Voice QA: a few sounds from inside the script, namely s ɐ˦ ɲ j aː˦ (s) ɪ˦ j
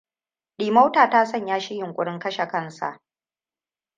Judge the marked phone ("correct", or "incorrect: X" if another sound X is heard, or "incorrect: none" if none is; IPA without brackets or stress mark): incorrect: ʃ